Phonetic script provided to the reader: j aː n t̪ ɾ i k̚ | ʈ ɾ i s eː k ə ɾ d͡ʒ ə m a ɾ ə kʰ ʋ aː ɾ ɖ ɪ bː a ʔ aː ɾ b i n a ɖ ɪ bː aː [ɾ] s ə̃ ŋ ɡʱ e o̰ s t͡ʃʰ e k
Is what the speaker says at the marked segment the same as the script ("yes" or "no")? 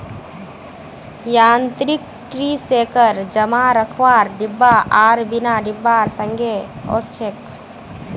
yes